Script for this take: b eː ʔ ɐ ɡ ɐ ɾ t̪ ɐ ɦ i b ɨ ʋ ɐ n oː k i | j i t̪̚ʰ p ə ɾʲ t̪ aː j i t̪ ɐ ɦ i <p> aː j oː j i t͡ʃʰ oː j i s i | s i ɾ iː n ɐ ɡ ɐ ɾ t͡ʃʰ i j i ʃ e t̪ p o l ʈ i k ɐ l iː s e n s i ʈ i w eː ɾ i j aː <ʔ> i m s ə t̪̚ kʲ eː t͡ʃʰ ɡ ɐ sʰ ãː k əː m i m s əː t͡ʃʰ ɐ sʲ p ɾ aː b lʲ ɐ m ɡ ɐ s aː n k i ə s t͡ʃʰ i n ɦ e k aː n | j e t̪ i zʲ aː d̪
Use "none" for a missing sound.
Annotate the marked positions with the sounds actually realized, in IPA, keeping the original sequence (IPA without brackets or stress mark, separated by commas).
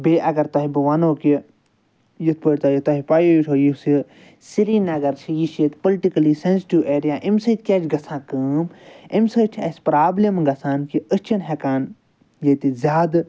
p, ʔ